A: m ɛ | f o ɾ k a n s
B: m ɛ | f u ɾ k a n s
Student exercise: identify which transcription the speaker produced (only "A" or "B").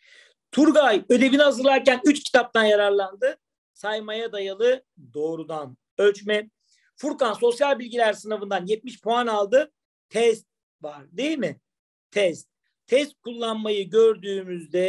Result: B